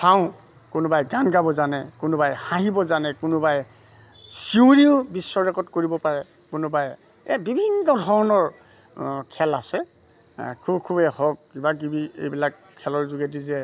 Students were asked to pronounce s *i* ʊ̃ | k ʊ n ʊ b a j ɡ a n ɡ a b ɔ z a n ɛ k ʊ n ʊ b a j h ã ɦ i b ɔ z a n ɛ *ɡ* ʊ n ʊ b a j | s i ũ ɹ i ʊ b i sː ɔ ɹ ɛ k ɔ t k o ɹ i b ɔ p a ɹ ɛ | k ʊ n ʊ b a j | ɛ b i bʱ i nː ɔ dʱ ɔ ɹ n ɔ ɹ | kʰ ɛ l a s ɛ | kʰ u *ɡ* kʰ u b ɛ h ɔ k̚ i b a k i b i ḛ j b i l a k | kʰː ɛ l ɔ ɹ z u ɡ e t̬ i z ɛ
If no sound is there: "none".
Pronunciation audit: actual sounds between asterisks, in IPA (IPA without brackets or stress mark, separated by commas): a, k, b